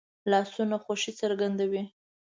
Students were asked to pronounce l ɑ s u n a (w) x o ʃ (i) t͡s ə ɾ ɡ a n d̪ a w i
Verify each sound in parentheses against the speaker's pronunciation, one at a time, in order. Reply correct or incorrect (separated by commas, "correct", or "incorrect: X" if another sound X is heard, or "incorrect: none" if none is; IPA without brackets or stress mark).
incorrect: none, correct